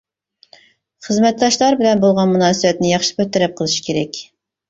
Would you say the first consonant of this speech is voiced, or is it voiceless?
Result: voiceless